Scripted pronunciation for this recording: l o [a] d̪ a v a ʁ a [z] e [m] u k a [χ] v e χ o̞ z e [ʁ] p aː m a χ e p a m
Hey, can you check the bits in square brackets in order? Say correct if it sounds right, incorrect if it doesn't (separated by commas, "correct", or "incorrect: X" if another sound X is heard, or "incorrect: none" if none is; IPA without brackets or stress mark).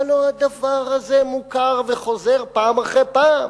correct, correct, correct, incorrect: ʁ, correct